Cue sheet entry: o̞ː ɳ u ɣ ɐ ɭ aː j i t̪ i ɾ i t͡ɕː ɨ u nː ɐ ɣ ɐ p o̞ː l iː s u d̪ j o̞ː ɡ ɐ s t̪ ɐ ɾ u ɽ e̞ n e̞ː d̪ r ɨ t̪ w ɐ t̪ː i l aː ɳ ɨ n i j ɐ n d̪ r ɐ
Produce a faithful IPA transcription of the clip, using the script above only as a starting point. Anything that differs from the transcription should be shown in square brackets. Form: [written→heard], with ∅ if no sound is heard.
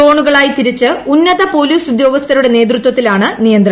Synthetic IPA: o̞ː ɳ u ɣ ɐ ɭ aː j i t̪ i ɾ i t͡ɕː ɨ u nː ɐ [ɣ→ð] ɐ p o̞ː l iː s u d̪ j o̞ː ɡ ɐ s t̪ ɐ ɾ u ɽ e̞ n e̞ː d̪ r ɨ t̪ w ɐ t̪ː i l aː ɳ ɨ n i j ɐ n d̪ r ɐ